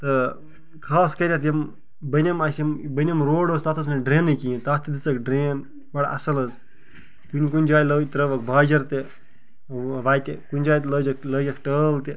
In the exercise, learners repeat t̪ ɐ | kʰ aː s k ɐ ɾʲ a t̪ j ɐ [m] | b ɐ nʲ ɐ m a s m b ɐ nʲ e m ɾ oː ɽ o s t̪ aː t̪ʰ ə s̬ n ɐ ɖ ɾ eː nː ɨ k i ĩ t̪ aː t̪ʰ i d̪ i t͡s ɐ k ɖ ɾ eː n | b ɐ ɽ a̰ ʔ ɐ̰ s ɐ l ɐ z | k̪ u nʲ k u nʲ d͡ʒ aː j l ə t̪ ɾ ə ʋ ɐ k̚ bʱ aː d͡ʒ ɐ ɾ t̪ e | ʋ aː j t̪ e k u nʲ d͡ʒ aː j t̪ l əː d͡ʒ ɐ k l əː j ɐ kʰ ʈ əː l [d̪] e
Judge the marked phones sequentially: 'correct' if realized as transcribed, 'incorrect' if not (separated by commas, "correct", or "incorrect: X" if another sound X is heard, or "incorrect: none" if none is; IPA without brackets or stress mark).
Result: correct, incorrect: t̪